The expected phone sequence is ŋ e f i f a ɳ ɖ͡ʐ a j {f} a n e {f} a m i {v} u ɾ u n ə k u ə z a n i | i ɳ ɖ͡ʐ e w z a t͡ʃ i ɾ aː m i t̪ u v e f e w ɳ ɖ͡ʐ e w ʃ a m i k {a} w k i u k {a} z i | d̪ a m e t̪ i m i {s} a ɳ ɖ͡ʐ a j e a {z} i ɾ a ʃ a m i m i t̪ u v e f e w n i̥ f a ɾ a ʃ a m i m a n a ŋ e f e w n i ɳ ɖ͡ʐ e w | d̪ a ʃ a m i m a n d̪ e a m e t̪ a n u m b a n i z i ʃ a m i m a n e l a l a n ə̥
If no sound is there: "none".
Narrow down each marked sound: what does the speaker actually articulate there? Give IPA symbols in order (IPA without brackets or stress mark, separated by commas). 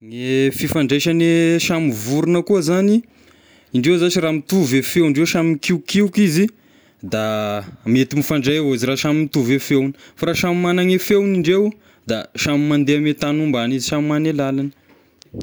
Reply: ʃ, ʃ, v, i, i, f, z